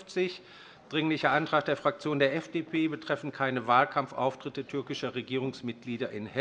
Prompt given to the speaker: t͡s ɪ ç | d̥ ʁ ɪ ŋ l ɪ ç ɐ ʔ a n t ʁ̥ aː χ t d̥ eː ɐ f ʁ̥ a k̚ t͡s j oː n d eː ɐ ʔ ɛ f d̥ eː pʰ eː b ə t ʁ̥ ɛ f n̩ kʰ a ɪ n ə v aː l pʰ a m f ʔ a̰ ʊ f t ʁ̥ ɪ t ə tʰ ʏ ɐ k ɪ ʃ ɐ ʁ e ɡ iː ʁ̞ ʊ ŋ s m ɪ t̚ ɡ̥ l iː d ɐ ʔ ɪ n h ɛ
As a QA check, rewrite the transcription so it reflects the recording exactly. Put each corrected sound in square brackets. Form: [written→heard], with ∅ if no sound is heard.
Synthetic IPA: t͡s ɪ ç | d̥ ʁ ɪ ŋ l ɪ ç ɐ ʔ a n t ʁ̥ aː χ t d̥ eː ɐ f ʁ̥ a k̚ t͡s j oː n d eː ɐ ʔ ɛ f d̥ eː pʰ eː b ə t ʁ̥ ɛ f n̩ kʰ a ɪ n ə v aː l [pʰ→kʰ] a m f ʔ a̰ ʊ f t ʁ̥ ɪ t ə tʰ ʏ ɐ k ɪ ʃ ɐ ʁ e ɡ iː ʁ̞ ʊ ŋ s m ɪ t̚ ɡ̥ l iː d ɐ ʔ ɪ n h ɛ